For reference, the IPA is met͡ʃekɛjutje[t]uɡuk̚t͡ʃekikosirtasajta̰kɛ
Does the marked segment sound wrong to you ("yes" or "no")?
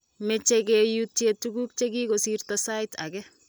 no